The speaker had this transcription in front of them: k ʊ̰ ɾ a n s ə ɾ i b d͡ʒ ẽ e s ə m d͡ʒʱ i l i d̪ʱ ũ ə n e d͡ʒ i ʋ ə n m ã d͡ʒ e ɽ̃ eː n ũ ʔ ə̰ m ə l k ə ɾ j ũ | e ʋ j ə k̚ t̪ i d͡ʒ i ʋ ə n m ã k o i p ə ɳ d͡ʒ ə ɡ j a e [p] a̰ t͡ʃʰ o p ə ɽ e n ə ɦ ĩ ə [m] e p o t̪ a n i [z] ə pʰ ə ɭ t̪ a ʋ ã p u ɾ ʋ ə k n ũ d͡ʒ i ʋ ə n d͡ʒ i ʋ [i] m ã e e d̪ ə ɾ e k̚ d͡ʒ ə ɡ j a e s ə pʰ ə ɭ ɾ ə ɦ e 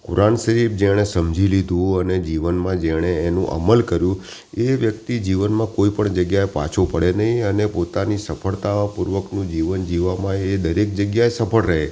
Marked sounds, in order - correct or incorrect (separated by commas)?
correct, incorrect, incorrect, incorrect